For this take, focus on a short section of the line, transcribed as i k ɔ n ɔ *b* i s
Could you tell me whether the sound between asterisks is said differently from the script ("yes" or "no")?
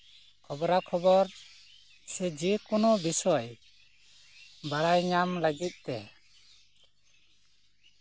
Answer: no